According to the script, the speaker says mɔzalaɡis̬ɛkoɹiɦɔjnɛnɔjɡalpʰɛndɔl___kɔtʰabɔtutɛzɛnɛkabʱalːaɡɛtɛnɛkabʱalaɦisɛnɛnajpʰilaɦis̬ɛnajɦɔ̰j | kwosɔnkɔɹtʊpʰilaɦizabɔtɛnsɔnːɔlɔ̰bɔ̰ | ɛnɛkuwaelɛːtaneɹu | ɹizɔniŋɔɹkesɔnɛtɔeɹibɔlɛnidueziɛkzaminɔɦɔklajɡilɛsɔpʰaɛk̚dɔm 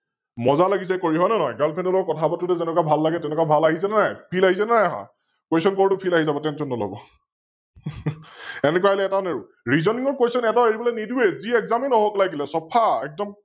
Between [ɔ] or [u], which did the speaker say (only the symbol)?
ɔ